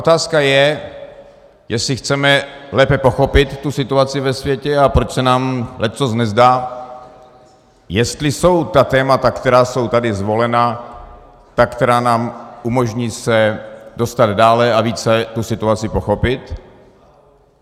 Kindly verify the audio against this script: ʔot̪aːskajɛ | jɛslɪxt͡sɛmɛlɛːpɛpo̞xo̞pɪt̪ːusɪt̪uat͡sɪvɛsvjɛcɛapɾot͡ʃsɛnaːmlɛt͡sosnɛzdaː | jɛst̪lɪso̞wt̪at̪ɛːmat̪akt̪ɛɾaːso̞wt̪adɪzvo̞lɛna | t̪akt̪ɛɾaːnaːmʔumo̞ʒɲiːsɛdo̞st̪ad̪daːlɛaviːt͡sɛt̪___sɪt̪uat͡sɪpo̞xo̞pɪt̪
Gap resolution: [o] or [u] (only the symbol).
u